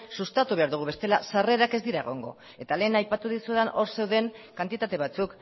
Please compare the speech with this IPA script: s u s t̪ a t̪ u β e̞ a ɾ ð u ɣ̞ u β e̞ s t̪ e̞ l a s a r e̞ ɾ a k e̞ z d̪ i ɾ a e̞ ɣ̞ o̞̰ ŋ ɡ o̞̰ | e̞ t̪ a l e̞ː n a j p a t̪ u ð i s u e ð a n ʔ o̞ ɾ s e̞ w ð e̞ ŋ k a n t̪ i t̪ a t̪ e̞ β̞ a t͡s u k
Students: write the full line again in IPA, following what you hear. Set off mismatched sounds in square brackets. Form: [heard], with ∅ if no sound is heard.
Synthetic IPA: s u s t̪ a t̪ u β e̞ a ɾ ð u ɣ̞ u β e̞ s t̪ e̞ l a s a r e̞ ɾ a k e̞ z d̪ i ɾ a e̞ ɣ̞ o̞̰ ŋ ɡ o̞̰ | e̞ t̪ a l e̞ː n a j p a t̪ u ð i s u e ð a n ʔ o̞ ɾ s e̞ w ð e̞ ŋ k a n t̪ i t̪ a t̪ e̞ β̞ a t͡s u k